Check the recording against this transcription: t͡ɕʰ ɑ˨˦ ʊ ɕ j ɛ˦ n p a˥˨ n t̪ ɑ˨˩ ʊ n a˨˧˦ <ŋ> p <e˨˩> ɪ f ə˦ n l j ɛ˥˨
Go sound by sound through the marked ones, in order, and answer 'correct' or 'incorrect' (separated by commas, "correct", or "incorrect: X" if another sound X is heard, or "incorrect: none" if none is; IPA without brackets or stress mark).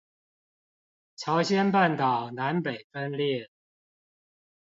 incorrect: n, correct